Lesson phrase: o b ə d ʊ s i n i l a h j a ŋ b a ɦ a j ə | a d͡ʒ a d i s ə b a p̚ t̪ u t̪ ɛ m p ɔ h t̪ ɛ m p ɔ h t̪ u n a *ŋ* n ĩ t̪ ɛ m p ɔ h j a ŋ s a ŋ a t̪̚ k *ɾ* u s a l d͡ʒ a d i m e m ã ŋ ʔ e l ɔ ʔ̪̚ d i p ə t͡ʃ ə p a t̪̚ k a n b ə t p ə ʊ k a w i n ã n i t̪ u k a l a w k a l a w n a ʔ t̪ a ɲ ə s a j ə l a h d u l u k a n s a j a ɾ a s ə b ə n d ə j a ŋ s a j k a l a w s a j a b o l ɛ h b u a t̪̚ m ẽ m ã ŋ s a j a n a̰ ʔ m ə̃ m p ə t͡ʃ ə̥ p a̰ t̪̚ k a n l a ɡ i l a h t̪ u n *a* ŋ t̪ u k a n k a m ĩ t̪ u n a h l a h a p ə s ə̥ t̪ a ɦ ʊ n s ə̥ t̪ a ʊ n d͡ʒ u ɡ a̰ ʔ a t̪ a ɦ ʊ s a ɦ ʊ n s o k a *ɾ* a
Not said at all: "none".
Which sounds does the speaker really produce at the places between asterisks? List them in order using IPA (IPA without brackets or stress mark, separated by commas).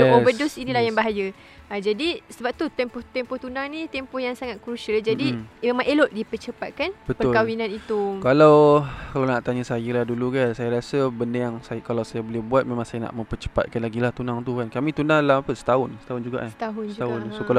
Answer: ŋ, ɾ, a, l